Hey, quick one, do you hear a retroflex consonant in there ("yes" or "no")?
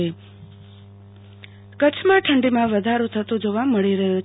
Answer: yes